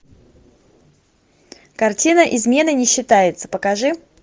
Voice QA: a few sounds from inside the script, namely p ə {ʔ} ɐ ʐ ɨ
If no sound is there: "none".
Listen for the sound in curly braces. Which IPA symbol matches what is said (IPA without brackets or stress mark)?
k